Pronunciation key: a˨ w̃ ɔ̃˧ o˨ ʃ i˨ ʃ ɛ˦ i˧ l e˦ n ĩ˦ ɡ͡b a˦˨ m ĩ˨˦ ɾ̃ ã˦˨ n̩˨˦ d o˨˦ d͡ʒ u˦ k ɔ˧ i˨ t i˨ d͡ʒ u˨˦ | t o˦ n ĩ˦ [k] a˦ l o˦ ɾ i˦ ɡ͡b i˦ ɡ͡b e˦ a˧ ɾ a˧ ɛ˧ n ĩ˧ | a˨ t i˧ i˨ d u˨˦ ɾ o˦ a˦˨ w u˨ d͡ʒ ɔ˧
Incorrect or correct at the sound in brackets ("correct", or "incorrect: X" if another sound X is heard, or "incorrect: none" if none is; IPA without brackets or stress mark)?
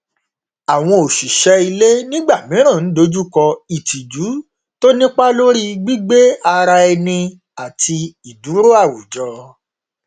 incorrect: k͡p